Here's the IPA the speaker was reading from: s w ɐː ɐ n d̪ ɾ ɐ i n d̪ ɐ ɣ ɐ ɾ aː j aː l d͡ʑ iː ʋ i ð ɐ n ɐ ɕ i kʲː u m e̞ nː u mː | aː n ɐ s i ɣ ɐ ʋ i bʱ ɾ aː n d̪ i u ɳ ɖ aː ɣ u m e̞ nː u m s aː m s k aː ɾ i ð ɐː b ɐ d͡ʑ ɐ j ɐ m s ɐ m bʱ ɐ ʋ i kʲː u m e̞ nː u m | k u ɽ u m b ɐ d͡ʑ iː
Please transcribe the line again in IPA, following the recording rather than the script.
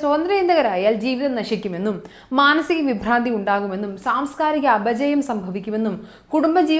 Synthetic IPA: s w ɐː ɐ n d̪ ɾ ɐ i n d̪ ɐ ɣ ɐ ɾ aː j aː l d͡ʑ iː ʋ i ð ɐ n ɐ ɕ i kʲː u m e̞ nː u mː | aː n ɐ s i ɣ ɐ ʋ i bʱ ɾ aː n d̪ i u ɳ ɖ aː ɣ u m e̞ nː u m s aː m s k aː ɾ i ɣ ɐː b ɐ d͡ʑ ɐ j ɐ m s ɐ m bʱ ɐ ʋ i kʲː u m e̞ nː u m | k u ɽ u m b ɐ d͡ʑ iː